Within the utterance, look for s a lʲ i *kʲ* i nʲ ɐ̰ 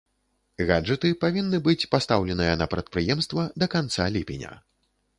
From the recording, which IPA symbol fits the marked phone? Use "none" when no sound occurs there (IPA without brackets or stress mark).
pʲ